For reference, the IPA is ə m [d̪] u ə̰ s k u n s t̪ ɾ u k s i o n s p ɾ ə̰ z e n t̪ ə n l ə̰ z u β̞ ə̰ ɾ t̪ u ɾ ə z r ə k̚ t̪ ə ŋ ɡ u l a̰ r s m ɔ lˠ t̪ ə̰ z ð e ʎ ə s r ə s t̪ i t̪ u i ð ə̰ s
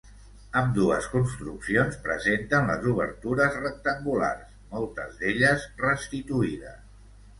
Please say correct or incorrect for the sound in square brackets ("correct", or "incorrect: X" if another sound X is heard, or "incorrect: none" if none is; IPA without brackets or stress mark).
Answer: correct